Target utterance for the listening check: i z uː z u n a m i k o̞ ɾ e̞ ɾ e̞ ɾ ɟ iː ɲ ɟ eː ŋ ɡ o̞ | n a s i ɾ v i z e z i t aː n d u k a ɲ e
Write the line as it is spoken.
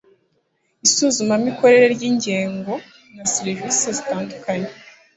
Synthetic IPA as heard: i s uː z u m a m i k o̞ ɾ e̞ ɾ e̞ ɾ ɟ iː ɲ ɟ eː ŋ ɡ o̞ | n a s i ɾ v i s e z i t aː n d u k a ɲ e